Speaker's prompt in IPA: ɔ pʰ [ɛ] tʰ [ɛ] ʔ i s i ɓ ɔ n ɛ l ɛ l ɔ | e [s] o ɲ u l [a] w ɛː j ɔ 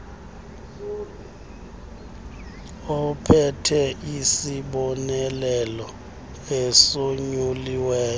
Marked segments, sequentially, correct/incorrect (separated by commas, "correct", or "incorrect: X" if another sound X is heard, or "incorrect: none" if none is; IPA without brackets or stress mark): correct, correct, correct, incorrect: i